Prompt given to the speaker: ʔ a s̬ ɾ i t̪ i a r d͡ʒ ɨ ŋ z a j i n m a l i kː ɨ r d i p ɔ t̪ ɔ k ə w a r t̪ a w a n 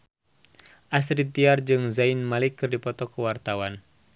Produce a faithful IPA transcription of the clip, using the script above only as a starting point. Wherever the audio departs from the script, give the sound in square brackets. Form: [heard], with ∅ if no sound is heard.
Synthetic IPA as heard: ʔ a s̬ ɾ i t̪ i a r d͡ʒ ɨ ŋ z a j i n m a l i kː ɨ r d i p ɔ t̪ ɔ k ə w a r t̪ a w a n